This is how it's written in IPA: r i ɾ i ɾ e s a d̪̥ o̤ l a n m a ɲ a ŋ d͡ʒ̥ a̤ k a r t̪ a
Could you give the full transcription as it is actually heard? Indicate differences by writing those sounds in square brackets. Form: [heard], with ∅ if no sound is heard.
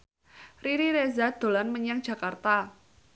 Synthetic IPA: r i ɾ i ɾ e [z] a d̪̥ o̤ l a n m [ə] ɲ a ŋ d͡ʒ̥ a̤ k a r t̪ a